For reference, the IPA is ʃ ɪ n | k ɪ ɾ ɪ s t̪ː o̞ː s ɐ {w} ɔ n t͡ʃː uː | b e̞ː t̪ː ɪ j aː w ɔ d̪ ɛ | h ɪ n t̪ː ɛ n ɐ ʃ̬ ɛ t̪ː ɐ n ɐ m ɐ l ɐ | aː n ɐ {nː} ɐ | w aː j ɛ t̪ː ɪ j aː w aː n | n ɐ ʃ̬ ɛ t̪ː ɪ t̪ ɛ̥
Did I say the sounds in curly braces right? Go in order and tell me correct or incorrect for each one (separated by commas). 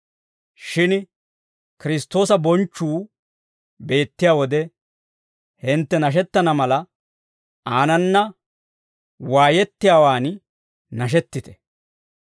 incorrect, correct